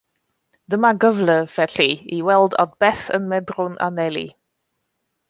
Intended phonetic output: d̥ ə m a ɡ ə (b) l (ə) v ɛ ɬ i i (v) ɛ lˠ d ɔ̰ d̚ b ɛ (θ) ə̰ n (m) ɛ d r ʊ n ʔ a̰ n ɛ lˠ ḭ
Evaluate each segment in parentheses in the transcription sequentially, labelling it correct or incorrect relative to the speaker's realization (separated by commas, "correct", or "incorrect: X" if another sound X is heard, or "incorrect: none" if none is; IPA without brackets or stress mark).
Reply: incorrect: v, correct, incorrect: w, correct, correct